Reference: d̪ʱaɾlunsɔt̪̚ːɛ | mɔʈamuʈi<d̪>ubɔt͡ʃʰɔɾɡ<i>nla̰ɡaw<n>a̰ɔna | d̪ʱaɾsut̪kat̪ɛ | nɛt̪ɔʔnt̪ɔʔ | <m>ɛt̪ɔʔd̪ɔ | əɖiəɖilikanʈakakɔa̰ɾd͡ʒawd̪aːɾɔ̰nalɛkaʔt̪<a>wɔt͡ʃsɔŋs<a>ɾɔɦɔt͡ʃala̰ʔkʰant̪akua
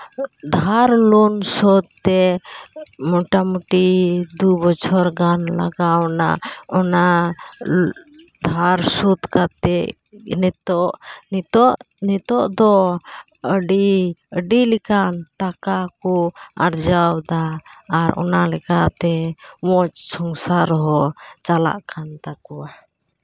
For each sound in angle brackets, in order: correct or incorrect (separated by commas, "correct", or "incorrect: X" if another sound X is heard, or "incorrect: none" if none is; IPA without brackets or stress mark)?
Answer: correct, incorrect: a, correct, incorrect: n, incorrect: ɛ, correct